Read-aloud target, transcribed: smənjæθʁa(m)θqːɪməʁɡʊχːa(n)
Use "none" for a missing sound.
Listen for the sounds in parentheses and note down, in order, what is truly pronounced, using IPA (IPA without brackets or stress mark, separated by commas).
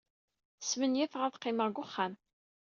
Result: none, m